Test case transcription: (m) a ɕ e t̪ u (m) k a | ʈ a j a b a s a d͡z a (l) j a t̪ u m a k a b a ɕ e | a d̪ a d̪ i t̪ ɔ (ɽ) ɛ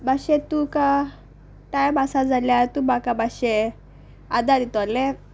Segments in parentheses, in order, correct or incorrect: incorrect: b, incorrect: none, correct, incorrect: l

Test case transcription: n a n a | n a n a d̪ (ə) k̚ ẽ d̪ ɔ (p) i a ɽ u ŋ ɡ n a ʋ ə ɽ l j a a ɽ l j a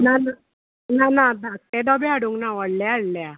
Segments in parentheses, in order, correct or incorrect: incorrect: a, incorrect: b

